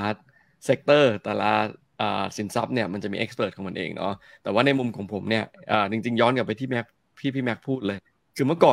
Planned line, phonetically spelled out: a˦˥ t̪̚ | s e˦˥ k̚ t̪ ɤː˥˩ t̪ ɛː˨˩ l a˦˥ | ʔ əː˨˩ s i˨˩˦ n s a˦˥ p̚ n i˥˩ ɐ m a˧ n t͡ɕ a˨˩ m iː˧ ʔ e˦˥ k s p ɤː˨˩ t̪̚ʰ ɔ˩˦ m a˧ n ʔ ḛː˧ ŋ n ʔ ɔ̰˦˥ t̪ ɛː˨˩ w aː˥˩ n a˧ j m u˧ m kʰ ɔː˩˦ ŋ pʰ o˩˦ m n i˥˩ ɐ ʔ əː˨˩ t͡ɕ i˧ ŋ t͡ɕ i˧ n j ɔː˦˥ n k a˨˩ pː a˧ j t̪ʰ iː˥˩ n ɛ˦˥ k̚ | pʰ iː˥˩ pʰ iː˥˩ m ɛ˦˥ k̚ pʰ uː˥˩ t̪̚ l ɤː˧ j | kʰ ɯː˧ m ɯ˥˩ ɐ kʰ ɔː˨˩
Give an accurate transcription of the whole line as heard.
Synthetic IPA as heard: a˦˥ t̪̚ | s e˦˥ k̚ t̪ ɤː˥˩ t̪ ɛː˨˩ l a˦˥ | ʔ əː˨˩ s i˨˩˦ n s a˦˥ p̚ n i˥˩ ɐ m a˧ n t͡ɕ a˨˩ m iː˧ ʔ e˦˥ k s p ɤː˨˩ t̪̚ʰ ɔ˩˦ m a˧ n ʔ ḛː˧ ŋ n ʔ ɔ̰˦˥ t̪ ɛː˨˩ w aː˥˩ n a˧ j m u˧ m kʰ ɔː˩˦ ŋ pʰ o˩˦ m n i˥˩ ɐ ʔ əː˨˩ t͡ɕ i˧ ŋ t͡ɕ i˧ ŋ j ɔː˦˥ n k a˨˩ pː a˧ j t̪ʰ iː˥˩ m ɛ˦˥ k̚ | pʰ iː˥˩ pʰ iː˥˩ m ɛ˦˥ k̚ pʰ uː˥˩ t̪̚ l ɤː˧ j | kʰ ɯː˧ m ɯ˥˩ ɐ k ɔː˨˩

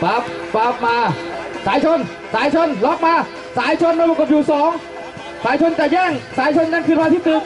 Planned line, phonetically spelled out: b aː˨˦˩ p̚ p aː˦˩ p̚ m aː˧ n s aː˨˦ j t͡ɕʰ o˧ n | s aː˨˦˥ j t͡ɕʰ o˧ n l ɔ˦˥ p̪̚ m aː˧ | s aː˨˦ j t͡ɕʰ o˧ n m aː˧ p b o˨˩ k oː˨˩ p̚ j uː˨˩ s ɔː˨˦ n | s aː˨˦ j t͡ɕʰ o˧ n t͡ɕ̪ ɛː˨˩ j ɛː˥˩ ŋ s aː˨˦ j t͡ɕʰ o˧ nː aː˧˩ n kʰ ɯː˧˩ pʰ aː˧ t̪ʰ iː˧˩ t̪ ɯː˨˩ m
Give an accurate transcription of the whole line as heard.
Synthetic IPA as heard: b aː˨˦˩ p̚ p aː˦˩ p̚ m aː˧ s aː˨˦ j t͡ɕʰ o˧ n | s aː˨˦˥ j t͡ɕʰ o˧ n l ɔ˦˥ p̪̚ m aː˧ | s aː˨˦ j t͡ɕʰ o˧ n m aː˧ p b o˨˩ k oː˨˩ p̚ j uː˨˩ s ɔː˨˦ ŋ | s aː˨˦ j t͡ɕʰ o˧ n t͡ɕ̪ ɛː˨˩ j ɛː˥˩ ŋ s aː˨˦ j t͡ɕʰ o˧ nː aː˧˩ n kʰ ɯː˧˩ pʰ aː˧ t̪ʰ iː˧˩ t̪ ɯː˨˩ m

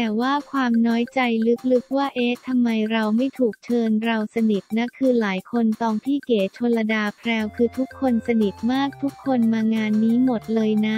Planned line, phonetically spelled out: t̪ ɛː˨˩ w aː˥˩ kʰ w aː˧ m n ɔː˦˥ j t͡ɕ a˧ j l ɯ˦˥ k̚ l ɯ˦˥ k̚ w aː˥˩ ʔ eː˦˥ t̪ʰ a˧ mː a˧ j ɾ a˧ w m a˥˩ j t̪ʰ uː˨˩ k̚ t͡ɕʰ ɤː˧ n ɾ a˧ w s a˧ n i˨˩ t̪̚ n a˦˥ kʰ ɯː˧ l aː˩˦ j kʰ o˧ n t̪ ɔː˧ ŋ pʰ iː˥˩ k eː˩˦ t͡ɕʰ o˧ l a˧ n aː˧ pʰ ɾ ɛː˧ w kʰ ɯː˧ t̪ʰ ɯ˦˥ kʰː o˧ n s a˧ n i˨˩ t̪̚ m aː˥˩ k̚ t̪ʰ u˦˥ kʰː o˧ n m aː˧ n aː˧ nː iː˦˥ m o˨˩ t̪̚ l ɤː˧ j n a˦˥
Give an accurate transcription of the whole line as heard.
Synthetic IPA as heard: t̪ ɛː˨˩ w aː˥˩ kʰ w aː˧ m n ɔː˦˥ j t͡ɕ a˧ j l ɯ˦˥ k̚ l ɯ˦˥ k̚ w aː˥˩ ʔ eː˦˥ t̪ʰ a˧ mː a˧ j ɾ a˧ w m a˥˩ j t̪ʰ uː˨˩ k̚ t͡ɕʰ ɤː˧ n ɾ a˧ w s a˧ n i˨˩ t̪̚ n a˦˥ kʰ ɯː˧ l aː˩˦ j kʰ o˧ n t̪ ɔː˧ ŋ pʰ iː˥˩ k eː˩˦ t͡ɕʰ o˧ l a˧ d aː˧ pʰ ɾ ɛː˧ w kʰ ɯː˧ t̪ʰ u˦˥ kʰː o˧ n s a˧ n i˨˩ t̪̚ m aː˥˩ k̚ t̪ʰ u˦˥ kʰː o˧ n m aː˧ ŋ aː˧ nː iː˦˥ m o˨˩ t̪̚ l ɤː˧ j n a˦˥

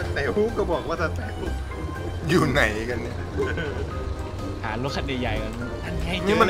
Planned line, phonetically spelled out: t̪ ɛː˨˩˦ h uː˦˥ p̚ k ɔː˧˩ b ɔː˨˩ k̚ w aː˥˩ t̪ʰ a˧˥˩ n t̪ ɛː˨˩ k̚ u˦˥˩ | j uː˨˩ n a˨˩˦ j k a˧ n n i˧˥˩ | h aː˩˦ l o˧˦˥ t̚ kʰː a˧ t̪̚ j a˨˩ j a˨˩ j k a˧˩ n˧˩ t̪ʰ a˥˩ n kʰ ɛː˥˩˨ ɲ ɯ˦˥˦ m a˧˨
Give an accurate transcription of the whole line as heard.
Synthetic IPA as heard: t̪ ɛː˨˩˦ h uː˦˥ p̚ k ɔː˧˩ b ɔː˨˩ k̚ w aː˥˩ t̪ʰ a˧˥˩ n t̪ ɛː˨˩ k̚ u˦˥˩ | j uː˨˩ n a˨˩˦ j k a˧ n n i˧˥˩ | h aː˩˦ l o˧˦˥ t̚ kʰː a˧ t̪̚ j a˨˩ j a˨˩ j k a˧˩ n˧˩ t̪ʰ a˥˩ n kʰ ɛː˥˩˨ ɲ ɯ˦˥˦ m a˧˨

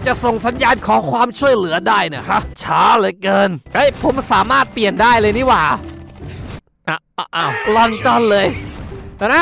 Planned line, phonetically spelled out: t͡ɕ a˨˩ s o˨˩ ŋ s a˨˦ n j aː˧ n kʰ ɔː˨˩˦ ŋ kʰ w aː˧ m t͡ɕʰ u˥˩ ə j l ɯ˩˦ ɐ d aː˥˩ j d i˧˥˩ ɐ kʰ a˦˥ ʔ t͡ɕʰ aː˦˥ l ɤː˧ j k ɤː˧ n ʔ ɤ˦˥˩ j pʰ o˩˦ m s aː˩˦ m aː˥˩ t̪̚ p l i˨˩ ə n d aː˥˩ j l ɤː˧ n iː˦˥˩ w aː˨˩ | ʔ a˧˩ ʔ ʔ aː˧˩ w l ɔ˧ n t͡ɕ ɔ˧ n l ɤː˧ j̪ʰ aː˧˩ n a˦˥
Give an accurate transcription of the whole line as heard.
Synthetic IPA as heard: t͡ɕ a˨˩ s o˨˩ ŋ s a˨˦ n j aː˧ n kʰ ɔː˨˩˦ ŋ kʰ w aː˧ m t͡ɕʰ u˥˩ ə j l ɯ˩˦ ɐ d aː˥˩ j n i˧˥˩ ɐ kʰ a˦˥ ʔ t͡ɕʰ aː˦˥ l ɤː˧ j k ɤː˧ n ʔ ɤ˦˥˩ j pʰ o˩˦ m s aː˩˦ m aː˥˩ t̪̚ p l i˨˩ ə n d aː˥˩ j l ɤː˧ n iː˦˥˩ w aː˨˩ | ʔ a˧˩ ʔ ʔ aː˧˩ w l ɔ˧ n t͡ɕ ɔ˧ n l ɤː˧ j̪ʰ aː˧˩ n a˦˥

